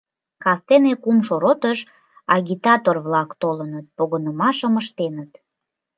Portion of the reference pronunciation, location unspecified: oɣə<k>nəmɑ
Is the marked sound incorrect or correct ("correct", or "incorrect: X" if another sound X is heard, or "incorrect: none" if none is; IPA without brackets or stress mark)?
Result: incorrect: none